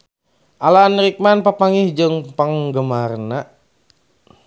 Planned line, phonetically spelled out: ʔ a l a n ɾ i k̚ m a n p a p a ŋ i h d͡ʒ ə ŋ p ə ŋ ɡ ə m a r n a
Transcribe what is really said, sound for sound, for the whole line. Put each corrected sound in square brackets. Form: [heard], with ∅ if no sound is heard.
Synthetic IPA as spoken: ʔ a l a n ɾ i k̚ m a n p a p a ŋ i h d͡ʒ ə ŋ p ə ŋ ɡ ə m a r n a

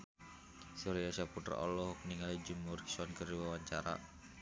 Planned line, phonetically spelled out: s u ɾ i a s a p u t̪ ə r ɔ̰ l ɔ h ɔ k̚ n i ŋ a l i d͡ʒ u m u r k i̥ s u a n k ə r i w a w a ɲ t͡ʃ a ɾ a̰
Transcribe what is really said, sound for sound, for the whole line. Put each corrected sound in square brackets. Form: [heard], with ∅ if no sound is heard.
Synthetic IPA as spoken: s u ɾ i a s a p u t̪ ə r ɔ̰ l ɔ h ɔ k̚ n i ŋ a l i d͡ʒ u m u r k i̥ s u a n k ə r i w a w a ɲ t͡ʃ a ɾ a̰

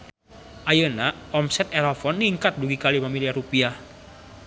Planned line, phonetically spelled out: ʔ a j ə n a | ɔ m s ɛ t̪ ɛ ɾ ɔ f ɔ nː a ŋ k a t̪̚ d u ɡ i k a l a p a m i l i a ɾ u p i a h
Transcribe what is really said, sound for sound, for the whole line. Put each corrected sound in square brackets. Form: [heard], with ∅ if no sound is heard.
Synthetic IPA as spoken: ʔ a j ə n a | ɔ m s ɛ t̪ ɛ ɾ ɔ f ɔ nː [i] ŋ k a t̪̚ d u ɡ i k a l [i] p a m i l i a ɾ u p i a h

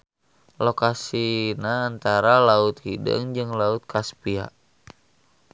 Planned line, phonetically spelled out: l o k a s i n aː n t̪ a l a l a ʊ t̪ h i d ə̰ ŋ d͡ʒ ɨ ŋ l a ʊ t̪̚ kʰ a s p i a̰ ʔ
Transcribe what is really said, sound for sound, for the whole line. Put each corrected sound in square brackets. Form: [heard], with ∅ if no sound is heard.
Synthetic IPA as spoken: l o k a s i n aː n t̪ a [ɾ] a l a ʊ t̪ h i d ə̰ ŋ d͡ʒ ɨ ŋ l a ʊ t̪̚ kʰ a s p i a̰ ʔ

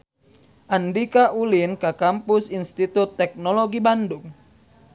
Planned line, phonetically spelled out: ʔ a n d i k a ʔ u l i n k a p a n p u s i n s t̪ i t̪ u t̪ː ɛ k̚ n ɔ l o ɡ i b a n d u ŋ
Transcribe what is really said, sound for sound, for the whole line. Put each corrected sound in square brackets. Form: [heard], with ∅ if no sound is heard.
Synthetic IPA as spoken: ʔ a n d i k a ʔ u l i n k a [k] a [m] p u s i n s t̪ i t̪ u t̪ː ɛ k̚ n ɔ l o ɡ i b a n d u ŋ

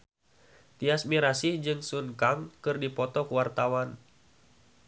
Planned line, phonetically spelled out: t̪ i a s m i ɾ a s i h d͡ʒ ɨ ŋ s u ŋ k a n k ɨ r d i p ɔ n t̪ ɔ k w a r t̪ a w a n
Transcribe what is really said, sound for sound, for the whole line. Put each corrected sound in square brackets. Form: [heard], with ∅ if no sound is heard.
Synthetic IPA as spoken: t̪ i a s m i ɾ a s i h d͡ʒ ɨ ŋ s u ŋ k a [ŋ] k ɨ r d i p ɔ [∅] t̪ ɔ k w a r t̪ a w a n

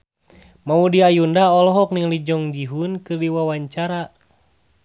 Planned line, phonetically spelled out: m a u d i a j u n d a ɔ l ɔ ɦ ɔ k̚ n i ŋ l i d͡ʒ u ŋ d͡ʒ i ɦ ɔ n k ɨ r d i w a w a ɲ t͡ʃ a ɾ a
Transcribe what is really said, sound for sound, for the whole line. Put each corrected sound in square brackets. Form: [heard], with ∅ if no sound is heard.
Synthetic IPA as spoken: m a u d i a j u n d a ɔ l ɔ ɦ ɔ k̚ n i ŋ l i d͡ʒ [ɔ] ŋ d͡ʒ i ɦ [u] n k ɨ r d i w a w a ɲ t͡ʃ a ɾ a

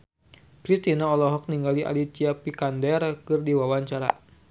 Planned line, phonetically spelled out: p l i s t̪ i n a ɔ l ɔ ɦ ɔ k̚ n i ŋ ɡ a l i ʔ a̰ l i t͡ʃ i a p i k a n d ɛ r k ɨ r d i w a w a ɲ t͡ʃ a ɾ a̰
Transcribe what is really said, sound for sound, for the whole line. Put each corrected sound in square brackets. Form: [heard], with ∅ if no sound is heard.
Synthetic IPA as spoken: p [ɾ] i s t̪ i n a ɔ l ɔ ɦ ɔ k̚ n i ŋ ɡ a l i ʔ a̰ l i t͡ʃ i a p i k a n d ɛ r k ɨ r d i w a w a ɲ t͡ʃ a ɾ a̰

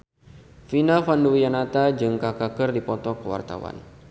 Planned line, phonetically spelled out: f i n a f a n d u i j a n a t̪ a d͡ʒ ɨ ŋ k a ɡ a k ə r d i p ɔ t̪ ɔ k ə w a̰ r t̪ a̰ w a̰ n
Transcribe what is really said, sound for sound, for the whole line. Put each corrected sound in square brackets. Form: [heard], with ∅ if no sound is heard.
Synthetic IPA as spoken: f i n a f a n d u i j a n a t̪ a d͡ʒ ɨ ŋ k a [k] a k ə r d i p ɔ t̪ ɔ k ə w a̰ r t̪ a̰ w a̰ n

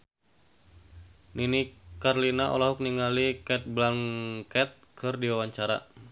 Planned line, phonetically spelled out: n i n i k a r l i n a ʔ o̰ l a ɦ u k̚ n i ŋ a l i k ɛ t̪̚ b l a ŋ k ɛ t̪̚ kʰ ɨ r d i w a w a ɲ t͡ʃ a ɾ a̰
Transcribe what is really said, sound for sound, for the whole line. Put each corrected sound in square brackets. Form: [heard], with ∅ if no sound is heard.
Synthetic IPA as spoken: n i n i k a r l i n a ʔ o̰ l a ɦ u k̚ n i ŋ a l i k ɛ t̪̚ b l a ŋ k ɛ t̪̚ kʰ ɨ r d i w a w a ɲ t͡ʃ a ɾ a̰

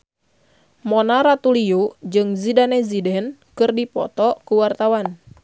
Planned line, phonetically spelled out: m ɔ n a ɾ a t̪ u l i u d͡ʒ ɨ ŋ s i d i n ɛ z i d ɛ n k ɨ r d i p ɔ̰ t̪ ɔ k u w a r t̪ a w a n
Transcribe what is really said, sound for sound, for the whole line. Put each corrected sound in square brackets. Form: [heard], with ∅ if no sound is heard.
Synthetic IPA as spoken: m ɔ n a ɾ a t̪ u l i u d͡ʒ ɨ ŋ [z] i d [a] n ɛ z i d ɛ n k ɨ r d i p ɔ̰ t̪ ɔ k u w a r t̪ a w a n

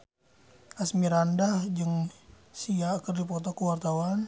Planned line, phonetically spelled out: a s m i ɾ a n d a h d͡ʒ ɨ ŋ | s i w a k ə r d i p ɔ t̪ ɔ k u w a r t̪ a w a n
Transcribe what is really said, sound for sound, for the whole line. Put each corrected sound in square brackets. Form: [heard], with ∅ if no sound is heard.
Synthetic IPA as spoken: a s m i ɾ a n d a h d͡ʒ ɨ ŋ | s i [∅] a k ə r d i p ɔ t̪ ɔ k u w a r t̪ a w a n

